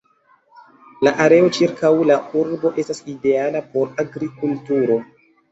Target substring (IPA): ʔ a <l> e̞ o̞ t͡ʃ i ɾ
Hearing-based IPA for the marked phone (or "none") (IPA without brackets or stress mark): ɾ